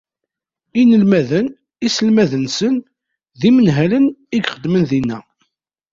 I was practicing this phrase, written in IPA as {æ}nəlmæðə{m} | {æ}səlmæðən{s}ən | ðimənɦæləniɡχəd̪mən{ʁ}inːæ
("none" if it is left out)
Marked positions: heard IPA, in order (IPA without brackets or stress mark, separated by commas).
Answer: i, n, i, s, ð